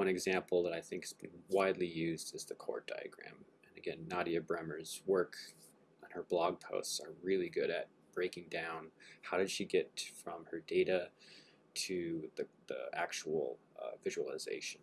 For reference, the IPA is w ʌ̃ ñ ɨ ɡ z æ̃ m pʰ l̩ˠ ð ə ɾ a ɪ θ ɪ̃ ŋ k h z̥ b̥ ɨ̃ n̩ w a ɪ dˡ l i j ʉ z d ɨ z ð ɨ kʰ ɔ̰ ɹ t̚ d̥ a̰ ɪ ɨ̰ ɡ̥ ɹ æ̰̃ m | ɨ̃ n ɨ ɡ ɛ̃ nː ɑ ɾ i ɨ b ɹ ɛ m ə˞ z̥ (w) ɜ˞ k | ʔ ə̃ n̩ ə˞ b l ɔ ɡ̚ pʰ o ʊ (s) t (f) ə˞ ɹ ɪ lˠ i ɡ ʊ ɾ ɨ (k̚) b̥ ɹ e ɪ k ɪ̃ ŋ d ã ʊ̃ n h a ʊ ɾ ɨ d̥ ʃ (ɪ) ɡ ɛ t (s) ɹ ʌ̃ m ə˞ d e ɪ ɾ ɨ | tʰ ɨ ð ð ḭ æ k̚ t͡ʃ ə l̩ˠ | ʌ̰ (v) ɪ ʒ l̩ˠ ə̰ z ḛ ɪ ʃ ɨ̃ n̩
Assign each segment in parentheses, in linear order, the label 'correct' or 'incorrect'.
correct, correct, incorrect: s, incorrect: t̚, incorrect: i, incorrect: f, correct

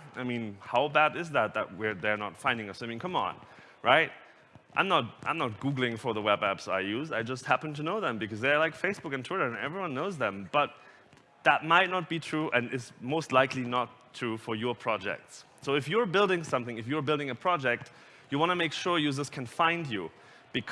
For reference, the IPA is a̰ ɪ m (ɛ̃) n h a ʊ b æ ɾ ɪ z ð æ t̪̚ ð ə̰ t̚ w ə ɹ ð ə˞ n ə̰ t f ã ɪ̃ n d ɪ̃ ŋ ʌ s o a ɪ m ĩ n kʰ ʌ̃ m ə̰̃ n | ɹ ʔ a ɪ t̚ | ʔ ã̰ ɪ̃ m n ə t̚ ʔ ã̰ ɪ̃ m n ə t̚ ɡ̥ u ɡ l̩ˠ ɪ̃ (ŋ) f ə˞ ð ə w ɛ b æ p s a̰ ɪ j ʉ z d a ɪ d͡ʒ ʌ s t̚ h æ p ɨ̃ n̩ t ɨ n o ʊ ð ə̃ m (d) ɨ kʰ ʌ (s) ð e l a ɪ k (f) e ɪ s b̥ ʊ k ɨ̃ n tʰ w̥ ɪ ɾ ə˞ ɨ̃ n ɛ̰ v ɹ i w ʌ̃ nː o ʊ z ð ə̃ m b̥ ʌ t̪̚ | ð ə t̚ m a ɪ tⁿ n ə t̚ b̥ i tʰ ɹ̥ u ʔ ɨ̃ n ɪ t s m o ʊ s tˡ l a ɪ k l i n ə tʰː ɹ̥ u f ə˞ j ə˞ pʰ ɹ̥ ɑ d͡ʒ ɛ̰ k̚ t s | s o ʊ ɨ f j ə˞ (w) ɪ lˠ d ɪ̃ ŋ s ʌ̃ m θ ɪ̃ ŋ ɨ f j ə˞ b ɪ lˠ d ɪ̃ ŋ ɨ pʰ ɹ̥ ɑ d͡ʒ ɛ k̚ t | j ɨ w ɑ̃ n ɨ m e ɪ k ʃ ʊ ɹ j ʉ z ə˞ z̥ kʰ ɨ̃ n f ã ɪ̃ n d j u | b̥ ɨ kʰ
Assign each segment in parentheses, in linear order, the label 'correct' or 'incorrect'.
incorrect: ĩ, correct, incorrect: b, incorrect: z, correct, incorrect: b

